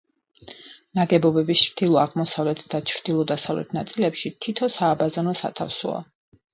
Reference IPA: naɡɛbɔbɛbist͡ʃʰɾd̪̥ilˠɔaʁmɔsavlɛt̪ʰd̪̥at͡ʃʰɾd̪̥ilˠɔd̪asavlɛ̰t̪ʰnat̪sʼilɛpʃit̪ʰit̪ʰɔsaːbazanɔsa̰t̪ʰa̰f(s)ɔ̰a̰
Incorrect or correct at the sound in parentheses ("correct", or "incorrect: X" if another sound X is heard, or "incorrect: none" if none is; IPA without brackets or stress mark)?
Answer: correct